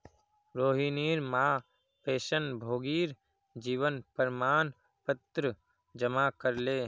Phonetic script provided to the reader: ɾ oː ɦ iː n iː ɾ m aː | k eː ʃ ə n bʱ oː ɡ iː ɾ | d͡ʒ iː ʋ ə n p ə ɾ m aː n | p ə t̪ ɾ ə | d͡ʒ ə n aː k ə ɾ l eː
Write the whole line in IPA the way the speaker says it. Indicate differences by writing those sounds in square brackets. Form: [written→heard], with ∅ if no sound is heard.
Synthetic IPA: ɾ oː ɦ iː n iː ɾ m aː | [k→p] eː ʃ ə n bʱ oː ɡ iː ɾ | d͡ʒ iː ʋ ə n p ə ɾ m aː n | p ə t̪ ɾ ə | d͡ʒ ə [n→m] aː k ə ɾ l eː

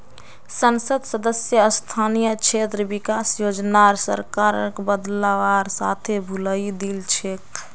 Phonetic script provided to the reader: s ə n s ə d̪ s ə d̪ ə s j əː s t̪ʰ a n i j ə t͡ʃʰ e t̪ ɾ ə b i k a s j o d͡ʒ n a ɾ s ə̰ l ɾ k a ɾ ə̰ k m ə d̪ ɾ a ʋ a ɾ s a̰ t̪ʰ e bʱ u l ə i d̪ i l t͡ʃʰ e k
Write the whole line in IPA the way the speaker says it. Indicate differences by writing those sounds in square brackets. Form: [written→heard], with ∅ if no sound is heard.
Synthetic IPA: s ə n s ə d̪ s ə d̪ ə s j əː s t̪ʰ a n i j ə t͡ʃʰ e t̪ ɾ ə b i k a s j o d͡ʒ n a ɾ s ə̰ [l→∅] ɾ k a ɾ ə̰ k [m→b] ə d̪ [ɾ→l] a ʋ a ɾ s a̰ t̪ʰ e bʱ u l ə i d̪ i l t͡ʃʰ e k

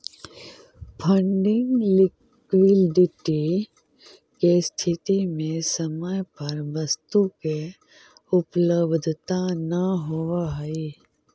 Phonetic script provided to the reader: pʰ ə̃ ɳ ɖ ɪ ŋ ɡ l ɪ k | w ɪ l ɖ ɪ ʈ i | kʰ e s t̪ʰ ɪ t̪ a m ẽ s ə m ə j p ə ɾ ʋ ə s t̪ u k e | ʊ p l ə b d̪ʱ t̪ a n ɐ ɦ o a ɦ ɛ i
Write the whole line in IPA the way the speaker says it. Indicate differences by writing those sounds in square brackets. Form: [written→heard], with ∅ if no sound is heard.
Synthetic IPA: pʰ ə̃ ɳ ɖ ɪ ŋ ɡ l ɪ k | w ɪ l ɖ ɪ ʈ i | [kʰ→k] e s t̪ʰ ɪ t̪ [a→i] m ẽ s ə m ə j p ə ɾ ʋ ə s t̪ u k e | ʊ p l ə b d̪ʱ t̪ a n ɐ ɦ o a ɦ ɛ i

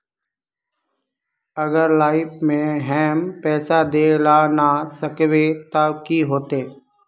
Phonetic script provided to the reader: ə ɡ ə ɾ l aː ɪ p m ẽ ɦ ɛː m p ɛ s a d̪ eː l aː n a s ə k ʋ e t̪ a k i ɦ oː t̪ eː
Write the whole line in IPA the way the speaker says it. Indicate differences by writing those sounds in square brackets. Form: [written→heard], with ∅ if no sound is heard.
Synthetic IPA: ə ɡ ə ɾ l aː ɪ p m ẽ ɦ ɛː m p [ɛ→ɛː] s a d̪ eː l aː n a s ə k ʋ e t̪ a k i ɦ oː t̪ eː

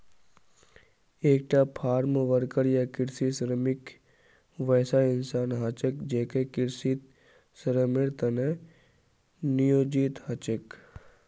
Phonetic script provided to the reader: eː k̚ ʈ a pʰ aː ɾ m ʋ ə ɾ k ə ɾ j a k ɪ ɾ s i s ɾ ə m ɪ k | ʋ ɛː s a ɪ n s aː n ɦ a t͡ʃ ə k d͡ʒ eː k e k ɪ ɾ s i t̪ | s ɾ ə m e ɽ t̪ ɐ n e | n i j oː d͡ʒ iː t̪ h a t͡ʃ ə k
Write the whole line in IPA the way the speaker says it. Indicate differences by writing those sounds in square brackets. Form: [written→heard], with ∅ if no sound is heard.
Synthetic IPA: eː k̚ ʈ a pʰ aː ɾ m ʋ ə ɾ k ə ɾ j a k ɪ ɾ s i s ɾ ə m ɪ k | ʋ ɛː s a ɪ n s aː n ɦ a t͡ʃ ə k d͡ʒ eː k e k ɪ ɾ s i t̪ | s ɾ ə m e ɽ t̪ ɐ n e | n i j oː d͡ʒ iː t̪ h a t͡ʃ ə k

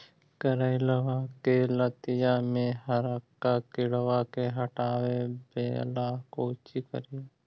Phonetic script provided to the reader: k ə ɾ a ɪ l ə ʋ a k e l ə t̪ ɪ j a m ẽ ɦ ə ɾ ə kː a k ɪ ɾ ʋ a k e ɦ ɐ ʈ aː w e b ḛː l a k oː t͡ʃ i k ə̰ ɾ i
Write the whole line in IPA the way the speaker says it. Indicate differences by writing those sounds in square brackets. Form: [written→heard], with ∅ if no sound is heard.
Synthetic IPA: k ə ɾ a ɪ l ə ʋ a k e l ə t̪ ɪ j a m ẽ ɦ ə ɾ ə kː a k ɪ [ɾ→ɽ] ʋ a k e ɦ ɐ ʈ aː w e b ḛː l a k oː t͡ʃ i k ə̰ ɾ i

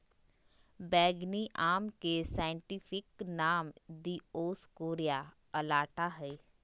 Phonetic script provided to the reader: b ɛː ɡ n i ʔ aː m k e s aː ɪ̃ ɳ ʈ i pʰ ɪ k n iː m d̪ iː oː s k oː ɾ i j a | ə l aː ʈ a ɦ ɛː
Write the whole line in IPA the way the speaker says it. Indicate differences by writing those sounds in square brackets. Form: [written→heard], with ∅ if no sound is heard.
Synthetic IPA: b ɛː ɡ n i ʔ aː m k e s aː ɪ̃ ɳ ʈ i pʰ ɪ k n [iː→aː] m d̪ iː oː s k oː ɾ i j a | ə l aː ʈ a ɦ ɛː

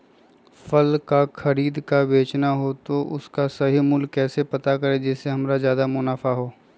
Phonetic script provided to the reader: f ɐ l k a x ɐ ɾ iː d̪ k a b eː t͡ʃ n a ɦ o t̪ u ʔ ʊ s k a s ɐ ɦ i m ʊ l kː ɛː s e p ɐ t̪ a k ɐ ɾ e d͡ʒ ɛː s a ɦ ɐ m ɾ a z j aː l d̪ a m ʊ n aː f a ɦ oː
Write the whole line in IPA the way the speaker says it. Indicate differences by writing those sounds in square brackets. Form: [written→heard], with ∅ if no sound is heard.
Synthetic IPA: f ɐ l k a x ɐ ɾ iː d̪ k a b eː t͡ʃ n a ɦ o t̪ [u→o] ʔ ʊ s k a s ɐ ɦ i m ʊ l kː ɛː s e p ɐ t̪ a k ɐ ɾ e d͡ʒ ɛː s [a→e] ɦ ɐ m ɾ a z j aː [l→∅] d̪ a m ʊ n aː f a ɦ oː

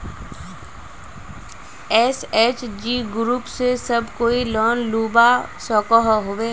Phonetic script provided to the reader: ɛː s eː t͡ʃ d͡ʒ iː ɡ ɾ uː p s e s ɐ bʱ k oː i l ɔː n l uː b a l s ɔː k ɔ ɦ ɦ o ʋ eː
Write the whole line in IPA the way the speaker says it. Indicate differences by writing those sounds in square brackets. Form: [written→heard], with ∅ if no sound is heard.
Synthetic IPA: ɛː s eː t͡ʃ d͡ʒ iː ɡ ɾ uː p s e s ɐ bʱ k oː i l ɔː n l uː b a [l→∅] s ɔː k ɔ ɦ ɦ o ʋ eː

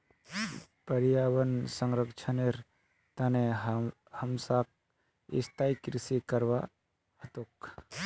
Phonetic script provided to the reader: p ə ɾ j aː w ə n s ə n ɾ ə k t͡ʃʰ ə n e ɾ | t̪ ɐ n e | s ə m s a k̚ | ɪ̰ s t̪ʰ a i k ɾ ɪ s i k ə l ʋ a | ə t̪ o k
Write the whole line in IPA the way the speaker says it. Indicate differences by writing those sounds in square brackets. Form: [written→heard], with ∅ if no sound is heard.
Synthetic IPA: p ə ɾ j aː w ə n s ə [n→ŋ] ɾ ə k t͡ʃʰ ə n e ɾ | t̪ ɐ n e | [s→h] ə m s a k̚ | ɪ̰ s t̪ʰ a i k ɾ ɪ s i k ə [l→ɾ] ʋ a | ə t̪ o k

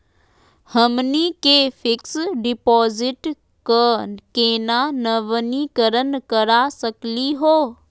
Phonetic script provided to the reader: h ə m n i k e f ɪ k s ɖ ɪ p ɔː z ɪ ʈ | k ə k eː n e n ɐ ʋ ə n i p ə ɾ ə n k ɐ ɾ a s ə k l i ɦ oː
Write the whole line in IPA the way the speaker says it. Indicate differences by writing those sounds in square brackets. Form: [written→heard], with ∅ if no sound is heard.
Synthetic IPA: h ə m n i k e f ɪ k s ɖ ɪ p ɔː z ɪ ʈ | k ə k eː n [e→a] n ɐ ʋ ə n i [p→k] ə ɾ ə n k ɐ ɾ a s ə k l i ɦ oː

